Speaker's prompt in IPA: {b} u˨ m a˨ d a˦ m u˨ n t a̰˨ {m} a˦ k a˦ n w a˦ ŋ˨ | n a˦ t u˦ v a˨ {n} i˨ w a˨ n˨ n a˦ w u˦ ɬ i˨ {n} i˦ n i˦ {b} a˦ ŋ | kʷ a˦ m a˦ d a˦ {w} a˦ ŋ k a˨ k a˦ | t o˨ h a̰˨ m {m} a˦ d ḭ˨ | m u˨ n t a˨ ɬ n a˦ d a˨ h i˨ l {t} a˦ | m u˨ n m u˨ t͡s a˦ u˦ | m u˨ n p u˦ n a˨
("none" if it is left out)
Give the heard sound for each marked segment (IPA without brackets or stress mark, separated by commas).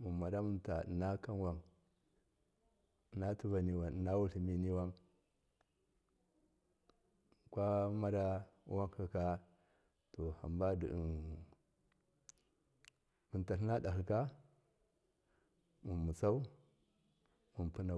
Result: m, n, n, m, w, w, b, k